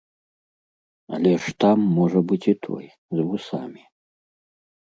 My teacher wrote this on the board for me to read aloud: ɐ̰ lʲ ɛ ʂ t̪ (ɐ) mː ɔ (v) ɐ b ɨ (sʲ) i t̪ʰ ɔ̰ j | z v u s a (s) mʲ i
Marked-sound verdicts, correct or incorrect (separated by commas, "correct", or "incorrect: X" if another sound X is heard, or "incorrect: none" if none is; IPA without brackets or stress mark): incorrect: a, incorrect: ʐ, incorrect: t͡sʲ, incorrect: none